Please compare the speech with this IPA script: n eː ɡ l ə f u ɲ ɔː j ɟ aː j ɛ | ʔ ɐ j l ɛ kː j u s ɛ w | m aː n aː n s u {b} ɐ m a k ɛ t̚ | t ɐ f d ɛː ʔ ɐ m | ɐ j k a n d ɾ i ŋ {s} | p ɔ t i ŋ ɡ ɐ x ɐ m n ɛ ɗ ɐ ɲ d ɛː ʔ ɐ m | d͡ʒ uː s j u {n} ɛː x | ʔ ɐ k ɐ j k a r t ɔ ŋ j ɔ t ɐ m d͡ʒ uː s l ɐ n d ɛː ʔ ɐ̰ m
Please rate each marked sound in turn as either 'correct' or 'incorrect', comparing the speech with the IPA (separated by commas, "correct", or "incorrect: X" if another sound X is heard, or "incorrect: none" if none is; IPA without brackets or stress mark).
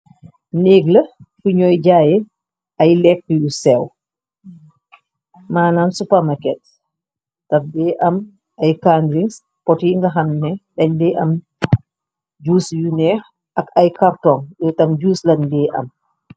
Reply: incorrect: p, correct, correct